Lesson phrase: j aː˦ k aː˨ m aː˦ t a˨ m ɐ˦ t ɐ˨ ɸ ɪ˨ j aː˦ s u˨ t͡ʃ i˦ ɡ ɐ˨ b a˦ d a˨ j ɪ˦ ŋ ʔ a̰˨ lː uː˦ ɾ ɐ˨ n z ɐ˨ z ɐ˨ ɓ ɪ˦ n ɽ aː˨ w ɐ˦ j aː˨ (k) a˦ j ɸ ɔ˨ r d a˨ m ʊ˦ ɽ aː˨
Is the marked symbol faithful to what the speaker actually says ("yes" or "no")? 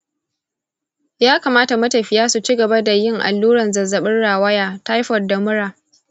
no